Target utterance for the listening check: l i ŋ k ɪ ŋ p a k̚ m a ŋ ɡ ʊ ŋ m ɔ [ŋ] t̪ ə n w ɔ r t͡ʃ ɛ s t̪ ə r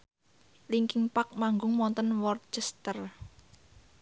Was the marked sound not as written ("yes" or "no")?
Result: yes